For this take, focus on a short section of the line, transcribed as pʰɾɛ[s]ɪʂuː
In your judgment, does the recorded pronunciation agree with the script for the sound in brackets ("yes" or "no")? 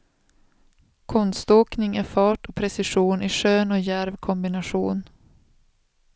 yes